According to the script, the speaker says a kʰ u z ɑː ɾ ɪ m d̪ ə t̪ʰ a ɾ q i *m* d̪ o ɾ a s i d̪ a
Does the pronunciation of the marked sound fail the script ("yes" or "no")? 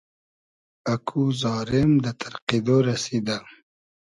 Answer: yes